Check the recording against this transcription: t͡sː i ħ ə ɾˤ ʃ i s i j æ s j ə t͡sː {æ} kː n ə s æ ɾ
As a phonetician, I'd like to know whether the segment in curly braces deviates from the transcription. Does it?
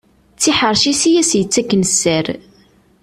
no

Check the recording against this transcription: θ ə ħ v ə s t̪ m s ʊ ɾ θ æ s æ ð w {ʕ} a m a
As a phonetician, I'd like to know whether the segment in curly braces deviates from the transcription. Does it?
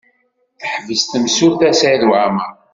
no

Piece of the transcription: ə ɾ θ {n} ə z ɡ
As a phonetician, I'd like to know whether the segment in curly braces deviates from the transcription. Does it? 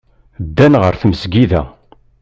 yes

